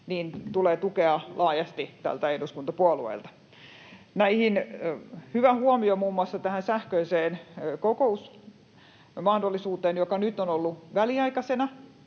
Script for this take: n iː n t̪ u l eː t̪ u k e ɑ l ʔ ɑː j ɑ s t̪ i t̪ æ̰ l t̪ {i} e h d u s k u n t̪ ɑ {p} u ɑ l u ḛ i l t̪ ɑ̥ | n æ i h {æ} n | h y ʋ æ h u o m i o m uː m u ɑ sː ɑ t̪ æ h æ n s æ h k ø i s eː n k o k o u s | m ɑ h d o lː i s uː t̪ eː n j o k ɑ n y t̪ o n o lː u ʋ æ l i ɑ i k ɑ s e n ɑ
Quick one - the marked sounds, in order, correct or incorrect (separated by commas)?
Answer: incorrect, correct, incorrect